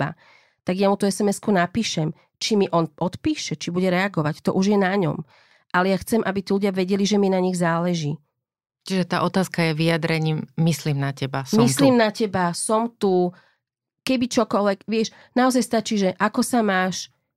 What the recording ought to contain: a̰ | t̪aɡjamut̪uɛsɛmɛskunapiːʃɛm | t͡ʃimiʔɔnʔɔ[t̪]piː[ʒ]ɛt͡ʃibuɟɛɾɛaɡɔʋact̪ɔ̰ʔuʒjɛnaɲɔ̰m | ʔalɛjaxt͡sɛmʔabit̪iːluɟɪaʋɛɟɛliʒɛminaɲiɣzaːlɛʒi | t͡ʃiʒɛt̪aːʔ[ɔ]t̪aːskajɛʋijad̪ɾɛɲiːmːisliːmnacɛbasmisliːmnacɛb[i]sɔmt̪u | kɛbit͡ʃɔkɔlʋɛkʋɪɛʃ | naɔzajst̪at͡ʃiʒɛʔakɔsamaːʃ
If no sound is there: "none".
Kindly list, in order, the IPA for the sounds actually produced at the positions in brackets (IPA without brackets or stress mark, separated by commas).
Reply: t̪, ʃ, ɔ, a